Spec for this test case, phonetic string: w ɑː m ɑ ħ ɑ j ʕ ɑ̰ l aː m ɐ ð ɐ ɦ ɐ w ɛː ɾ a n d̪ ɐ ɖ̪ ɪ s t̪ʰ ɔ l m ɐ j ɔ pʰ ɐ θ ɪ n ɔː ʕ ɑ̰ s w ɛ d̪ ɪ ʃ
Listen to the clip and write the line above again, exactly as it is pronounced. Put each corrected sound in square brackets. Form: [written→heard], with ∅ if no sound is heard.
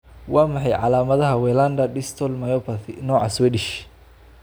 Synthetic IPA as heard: w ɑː m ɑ ħ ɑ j ʕ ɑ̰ l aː m ɐ ð ɐ ɦ ɐ w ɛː [ɾ→l] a n d̪ ɐ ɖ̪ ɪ s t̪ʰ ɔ l m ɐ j ɔ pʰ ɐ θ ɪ n ɔː ʕ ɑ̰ s w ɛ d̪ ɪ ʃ